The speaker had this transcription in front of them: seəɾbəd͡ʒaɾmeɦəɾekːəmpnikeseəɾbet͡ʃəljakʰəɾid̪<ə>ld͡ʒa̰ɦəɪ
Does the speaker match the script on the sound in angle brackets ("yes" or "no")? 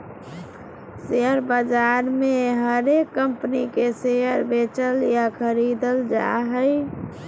yes